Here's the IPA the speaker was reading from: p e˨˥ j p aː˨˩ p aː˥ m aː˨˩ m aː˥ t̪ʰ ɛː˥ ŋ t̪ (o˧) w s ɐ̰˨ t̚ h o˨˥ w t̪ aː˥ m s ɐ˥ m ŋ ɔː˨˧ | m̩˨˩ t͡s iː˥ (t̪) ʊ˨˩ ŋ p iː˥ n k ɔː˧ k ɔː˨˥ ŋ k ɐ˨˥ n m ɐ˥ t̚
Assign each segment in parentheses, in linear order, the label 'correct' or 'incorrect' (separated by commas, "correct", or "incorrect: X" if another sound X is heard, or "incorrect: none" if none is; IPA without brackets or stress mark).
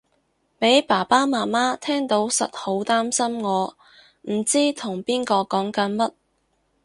incorrect: o˨˥, incorrect: t̪ʰ